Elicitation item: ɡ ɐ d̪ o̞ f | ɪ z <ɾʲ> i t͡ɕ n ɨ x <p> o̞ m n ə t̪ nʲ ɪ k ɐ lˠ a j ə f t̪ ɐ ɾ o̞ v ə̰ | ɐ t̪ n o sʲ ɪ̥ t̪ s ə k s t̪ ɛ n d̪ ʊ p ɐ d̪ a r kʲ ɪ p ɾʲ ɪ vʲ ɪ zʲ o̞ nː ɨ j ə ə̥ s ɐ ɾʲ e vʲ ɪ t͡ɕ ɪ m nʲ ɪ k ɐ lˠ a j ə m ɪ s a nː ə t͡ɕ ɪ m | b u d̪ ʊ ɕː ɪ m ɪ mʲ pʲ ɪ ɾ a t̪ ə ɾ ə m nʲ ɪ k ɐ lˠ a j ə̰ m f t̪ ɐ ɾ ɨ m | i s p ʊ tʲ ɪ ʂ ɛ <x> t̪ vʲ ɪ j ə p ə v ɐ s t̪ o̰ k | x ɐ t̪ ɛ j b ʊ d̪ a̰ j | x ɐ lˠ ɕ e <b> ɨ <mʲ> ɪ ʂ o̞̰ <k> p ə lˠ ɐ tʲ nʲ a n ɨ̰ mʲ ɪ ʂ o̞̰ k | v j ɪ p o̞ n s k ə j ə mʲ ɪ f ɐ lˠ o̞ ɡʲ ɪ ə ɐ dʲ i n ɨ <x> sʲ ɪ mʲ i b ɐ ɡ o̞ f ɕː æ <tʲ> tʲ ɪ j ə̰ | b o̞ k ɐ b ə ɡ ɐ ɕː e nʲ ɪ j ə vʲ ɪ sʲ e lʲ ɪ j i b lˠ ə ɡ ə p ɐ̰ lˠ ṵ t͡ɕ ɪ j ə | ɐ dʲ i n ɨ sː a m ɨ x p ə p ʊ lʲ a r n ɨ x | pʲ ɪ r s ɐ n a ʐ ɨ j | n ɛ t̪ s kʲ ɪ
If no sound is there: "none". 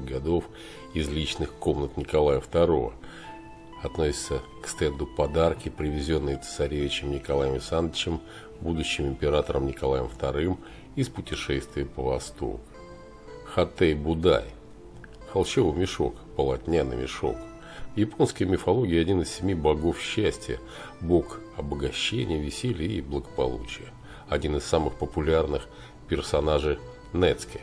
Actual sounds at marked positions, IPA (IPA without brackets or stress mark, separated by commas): lʲ, k, s, v, mʲ, k, s, sʲ